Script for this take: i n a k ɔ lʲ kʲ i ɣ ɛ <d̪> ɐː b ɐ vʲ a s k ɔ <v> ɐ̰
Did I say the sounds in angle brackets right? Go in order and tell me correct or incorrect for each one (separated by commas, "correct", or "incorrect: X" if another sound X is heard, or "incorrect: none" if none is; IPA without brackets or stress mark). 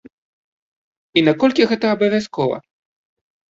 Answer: incorrect: t̪, correct